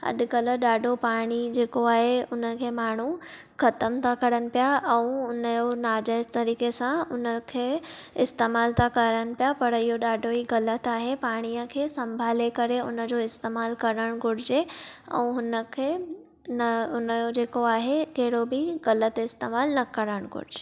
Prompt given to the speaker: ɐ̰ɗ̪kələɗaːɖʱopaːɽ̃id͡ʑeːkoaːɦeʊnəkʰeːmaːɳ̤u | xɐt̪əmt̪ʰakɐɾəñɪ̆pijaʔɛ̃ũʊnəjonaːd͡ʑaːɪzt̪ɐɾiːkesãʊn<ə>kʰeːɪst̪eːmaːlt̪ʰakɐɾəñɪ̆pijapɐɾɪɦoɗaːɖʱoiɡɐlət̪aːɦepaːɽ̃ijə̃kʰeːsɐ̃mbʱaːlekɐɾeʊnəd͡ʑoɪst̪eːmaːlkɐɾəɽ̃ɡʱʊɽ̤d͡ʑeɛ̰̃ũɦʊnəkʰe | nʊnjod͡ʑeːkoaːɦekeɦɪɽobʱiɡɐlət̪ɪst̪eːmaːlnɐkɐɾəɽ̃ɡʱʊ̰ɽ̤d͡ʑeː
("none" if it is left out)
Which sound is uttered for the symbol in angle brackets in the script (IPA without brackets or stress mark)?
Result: ə